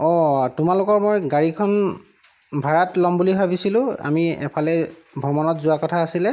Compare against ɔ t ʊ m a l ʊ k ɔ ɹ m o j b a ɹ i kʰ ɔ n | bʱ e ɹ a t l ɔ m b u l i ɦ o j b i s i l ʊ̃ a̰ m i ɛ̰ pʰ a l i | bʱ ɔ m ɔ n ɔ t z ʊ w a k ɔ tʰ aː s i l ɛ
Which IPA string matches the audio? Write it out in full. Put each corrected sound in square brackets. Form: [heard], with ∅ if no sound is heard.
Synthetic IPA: ɔ t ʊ m a l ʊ k ɔ ɹ m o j [ɡ] a ɹ i kʰ ɔ n | bʱ [a] ɹ a t l ɔ m b u l i ɦ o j b i s i l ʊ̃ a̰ m i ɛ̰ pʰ a l [ɛ] | bʱ ɔ m ɔ n ɔ t z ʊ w a k ɔ tʰ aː s i l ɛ